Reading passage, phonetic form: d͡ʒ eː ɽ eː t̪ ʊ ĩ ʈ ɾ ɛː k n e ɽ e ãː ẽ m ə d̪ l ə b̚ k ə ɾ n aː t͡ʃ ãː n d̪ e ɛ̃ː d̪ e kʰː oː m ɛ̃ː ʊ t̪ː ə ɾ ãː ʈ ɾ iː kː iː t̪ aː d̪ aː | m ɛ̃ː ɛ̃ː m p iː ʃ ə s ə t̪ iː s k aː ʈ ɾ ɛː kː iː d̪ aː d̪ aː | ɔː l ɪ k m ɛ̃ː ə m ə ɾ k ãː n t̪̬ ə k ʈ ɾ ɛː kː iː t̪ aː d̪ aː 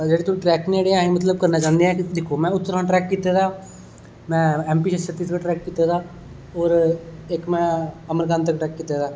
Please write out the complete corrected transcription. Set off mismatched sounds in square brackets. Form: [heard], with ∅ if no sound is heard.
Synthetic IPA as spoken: d͡ʒ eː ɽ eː t̪ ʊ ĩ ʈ ɾ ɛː k n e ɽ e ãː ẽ m ə [t̪] l ə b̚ k ə ɾ n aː t͡ʃ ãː n d̪ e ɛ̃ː d̪ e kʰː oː m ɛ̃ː ʊ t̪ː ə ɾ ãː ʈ ɾ [ɛː] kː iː t̪ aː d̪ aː | m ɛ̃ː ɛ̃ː m p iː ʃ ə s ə t̪ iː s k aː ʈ ɾ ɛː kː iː [t̪] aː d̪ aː | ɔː [ɾ] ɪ k m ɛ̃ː ə m ə ɾ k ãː n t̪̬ ə k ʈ ɾ ɛː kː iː t̪ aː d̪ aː